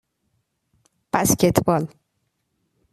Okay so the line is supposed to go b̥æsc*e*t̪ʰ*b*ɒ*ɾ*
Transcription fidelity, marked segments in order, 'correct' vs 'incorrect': correct, correct, incorrect: l

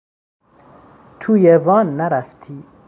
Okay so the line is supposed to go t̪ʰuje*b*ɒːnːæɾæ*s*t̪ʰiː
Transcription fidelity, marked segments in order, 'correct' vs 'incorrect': incorrect: v, incorrect: f

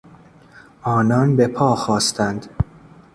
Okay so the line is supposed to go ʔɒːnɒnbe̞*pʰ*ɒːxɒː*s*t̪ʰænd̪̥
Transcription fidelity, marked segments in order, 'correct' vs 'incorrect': correct, correct

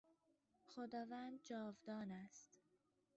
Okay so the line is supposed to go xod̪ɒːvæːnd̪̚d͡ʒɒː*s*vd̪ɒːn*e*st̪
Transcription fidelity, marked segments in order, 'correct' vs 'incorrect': incorrect: none, incorrect: æ

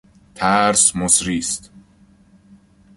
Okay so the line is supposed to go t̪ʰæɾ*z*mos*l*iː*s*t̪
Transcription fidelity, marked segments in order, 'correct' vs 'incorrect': incorrect: s, incorrect: ɾ, correct

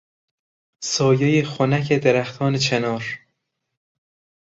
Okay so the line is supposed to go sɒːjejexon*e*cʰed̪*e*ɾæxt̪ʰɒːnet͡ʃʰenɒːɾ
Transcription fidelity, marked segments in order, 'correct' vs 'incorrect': incorrect: æ, correct

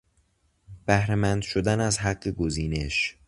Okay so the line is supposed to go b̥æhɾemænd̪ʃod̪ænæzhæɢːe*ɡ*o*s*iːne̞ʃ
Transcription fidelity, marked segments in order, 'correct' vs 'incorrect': correct, incorrect: z

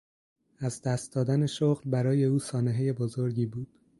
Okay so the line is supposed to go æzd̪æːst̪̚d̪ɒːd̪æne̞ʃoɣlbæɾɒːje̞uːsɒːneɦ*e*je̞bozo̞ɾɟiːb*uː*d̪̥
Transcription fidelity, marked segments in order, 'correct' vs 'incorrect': correct, correct

